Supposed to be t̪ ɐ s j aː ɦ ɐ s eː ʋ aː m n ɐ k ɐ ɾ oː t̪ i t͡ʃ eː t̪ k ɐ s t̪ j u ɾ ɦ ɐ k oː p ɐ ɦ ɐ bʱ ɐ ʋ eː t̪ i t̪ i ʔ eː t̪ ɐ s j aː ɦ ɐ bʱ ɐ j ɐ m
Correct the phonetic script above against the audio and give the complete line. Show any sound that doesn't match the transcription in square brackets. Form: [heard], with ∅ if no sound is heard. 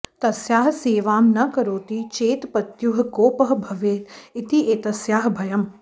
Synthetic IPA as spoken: t̪ ɐ s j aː ɦ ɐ s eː ʋ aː m n ɐ k ɐ ɾ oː t̪ i t͡ʃ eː t̪ [p] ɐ [∅] t̪ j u [∅] ɦ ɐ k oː p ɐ ɦ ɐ bʱ ɐ ʋ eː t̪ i t̪ i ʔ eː t̪ ɐ s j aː ɦ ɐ bʱ ɐ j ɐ m